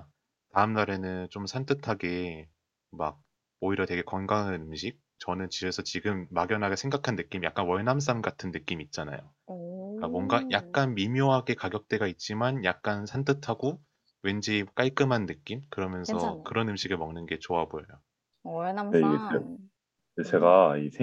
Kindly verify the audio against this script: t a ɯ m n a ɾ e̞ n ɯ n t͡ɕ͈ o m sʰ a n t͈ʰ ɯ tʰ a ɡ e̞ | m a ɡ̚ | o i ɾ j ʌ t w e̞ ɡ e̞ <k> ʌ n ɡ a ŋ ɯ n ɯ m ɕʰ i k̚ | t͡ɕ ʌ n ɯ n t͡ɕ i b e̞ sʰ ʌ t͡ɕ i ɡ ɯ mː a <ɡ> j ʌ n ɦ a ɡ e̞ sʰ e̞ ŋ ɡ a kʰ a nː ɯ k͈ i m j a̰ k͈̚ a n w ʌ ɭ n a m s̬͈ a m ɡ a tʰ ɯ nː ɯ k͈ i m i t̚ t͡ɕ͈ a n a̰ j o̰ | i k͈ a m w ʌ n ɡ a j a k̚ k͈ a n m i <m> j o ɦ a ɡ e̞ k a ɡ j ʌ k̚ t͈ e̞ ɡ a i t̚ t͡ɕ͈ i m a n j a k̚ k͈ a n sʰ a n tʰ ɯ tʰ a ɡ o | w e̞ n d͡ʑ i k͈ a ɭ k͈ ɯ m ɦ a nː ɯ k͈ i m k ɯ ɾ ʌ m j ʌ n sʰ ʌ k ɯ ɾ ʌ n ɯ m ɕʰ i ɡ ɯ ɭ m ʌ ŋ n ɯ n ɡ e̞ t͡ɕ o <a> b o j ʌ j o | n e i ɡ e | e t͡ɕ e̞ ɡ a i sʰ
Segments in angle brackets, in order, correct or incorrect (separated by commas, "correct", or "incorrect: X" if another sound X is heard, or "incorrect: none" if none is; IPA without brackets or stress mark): correct, correct, correct, correct